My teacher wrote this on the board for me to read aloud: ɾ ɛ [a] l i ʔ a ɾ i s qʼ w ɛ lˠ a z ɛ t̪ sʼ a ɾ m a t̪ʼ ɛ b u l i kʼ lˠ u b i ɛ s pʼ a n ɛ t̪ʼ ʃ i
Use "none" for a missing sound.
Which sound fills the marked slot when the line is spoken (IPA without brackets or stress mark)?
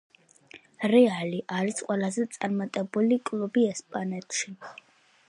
a